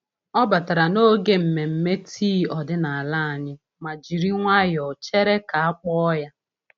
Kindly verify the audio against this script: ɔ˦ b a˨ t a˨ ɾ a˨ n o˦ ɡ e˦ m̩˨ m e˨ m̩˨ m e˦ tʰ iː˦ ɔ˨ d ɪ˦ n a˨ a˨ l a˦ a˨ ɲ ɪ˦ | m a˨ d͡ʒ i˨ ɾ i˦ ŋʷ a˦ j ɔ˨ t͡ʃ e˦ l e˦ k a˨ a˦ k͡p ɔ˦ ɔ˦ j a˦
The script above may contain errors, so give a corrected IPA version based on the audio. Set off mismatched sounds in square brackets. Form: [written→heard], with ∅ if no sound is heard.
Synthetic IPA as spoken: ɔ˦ b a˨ t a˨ ɾ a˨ n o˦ ɡ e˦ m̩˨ m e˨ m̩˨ m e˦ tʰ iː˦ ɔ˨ d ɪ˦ n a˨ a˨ l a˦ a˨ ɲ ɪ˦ | m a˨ d͡ʒ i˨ ɾ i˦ ŋʷ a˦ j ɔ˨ t͡ʃ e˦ [l→ɾ] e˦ k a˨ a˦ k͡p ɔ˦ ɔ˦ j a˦